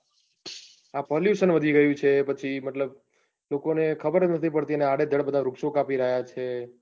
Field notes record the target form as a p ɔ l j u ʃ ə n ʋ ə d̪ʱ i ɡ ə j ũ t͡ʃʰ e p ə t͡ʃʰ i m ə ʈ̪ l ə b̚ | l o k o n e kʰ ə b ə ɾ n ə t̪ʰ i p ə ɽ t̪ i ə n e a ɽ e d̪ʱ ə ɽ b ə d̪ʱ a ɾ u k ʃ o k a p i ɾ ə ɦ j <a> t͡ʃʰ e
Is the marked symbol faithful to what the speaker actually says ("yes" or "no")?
yes